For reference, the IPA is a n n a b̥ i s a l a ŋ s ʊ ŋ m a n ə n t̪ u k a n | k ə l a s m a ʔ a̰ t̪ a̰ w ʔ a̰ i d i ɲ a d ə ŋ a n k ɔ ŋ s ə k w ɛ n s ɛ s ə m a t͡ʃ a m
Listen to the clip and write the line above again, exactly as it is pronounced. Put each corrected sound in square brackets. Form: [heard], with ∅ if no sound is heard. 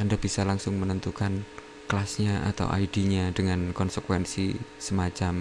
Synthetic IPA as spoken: a n [d] a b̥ i s a l a ŋ s ʊ ŋ m [ə] n ə n t̪ u k a n | k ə l a s [ɲ] a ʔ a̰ t̪ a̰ w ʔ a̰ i d i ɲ a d ə ŋ a n k ɔ [n] s ə k w ɛ n s [i] s ə m a t͡ʃ a m